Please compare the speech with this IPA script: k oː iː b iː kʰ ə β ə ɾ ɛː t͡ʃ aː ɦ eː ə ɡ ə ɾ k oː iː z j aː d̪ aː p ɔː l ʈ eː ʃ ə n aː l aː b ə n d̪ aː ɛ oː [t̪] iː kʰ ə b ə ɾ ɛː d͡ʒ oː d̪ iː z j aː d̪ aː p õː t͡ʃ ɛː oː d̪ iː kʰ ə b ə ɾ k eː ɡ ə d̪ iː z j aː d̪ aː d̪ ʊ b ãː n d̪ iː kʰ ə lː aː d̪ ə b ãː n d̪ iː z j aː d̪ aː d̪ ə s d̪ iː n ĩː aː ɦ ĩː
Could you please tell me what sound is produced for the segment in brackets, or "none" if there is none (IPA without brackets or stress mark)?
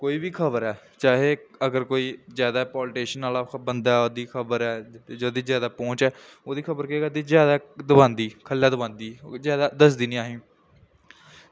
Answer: d̪